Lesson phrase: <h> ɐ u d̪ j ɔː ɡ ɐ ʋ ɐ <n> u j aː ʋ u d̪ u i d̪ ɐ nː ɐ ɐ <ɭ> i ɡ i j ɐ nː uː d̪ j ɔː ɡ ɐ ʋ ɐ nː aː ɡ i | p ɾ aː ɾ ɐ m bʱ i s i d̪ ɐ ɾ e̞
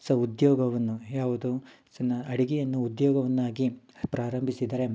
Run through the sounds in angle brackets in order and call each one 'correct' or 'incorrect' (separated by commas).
incorrect, incorrect, incorrect